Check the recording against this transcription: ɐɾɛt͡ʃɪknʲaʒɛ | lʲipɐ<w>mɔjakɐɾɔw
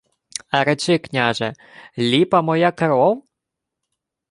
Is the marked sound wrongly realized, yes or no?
yes